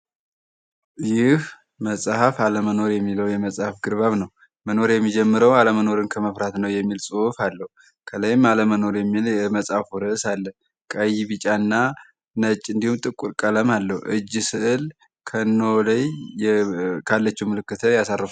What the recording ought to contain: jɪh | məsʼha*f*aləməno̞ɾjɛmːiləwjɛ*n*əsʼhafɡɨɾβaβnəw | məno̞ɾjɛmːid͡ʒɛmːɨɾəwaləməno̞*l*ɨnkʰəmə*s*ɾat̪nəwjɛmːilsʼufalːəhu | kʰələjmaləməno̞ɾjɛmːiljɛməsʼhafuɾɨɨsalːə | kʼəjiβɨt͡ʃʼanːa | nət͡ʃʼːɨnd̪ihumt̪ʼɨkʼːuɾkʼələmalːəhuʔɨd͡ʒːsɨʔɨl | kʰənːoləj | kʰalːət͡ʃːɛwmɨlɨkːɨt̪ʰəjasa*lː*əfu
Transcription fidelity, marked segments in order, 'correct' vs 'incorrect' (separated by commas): correct, incorrect, incorrect, incorrect, incorrect